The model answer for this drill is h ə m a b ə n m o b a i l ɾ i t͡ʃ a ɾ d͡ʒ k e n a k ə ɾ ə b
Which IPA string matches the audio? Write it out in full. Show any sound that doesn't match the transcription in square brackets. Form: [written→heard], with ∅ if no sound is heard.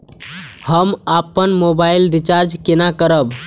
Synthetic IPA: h ə m a [b→p] ə n m o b a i l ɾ i t͡ʃ a ɾ d͡ʒ k e n a k ə ɾ ə b